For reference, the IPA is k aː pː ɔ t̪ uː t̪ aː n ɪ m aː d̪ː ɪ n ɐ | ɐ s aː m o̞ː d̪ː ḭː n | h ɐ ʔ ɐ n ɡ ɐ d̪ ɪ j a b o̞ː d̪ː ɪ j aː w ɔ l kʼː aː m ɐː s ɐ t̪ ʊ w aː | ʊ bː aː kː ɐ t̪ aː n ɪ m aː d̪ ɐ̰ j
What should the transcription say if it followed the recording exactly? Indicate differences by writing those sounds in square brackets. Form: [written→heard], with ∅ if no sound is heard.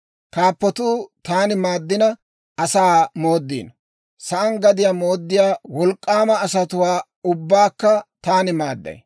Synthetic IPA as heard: k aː pː ɔ t̪ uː t̪ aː n ɪ m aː d̪ː ɪ n ɐ | ɐ s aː m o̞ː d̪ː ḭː n | [h→s] ɐ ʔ ɐ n ɡ ɐ d̪ ɪ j a [b→m] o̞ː d̪ː ɪ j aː w ɔ l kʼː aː m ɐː s ɐ t̪ ʊ w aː | ʊ bː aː kː ɐ t̪ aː n ɪ m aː [d̪→d̪ː] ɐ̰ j